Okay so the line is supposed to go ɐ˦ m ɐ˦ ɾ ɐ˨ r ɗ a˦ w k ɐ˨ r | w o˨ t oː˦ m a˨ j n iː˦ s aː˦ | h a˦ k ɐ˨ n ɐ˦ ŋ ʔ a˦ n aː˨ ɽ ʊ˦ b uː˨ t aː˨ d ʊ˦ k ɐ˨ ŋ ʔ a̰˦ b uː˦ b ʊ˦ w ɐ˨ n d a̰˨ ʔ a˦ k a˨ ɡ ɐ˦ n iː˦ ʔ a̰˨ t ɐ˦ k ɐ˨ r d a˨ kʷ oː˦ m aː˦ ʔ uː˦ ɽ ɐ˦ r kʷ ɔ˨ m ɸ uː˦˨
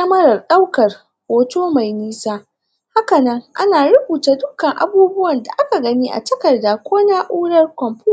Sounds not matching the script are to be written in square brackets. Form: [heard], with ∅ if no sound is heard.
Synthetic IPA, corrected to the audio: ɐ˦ m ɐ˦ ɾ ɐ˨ r ɗ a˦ w k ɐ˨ r | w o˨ t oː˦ m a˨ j n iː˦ s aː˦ | h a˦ k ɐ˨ n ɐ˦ ŋ ʔ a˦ n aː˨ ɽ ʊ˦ b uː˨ t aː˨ d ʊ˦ k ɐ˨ ŋ ʔ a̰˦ b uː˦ b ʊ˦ w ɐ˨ n d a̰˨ ʔ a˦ k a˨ ɡ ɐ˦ n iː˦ ʔ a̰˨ t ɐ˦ k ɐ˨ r d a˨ kʷ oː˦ [n] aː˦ ʔ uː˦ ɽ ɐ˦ r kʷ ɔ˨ m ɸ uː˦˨